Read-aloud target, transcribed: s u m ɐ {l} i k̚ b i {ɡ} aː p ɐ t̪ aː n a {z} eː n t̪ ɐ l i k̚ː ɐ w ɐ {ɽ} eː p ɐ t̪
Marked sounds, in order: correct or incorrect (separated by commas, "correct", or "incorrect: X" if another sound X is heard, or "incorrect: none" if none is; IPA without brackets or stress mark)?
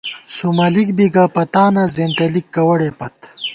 correct, correct, correct, correct